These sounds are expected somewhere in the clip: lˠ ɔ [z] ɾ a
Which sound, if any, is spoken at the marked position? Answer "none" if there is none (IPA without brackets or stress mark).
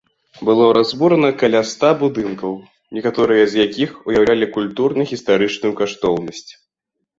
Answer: none